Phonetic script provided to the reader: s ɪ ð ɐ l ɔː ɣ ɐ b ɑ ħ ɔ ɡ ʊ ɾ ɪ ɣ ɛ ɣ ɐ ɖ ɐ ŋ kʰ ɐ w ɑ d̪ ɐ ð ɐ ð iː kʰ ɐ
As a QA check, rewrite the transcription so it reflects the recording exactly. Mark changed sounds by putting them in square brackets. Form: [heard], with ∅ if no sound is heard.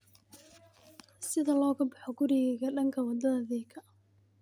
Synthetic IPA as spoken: s ɪ ð ɐ l ɔː ɣ ɐ b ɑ ħ ɔ ɡ ʊ ɾ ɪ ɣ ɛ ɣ ɐ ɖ ɐ ŋ kʰ ɐ w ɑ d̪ ɐ ð ɐ ð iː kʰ ɐ